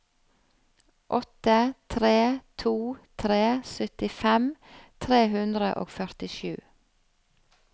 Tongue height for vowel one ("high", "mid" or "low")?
mid